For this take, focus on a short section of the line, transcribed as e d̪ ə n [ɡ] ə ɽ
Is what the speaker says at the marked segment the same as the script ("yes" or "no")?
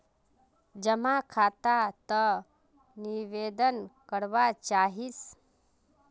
no